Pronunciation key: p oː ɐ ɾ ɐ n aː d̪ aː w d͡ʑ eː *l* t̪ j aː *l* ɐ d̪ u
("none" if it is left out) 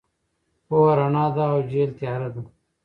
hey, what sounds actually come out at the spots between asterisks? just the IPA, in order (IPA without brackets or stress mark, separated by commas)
l, ɾ